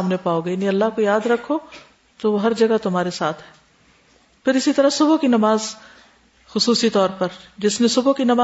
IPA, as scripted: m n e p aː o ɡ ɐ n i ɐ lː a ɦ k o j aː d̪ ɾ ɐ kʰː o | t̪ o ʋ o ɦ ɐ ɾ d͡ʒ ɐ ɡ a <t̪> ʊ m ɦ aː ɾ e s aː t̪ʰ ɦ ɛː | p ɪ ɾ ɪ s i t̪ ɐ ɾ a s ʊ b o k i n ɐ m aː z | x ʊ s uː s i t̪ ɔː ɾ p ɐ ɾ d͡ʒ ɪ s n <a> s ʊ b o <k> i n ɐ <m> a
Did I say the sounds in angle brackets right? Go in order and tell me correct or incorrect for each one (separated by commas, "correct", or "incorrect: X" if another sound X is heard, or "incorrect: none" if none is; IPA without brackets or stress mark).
correct, incorrect: e, correct, correct